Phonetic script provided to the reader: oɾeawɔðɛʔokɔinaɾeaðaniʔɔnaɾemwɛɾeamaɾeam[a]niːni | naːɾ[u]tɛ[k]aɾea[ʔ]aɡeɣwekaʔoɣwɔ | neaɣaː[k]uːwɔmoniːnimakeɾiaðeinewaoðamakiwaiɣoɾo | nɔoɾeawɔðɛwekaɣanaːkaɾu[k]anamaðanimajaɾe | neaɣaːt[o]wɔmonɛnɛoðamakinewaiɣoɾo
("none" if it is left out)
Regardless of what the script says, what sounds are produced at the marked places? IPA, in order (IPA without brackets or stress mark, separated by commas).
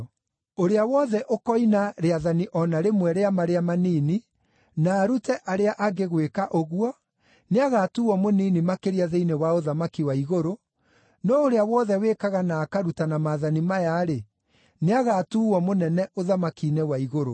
a, u, ʔ, ʔ, t, t, u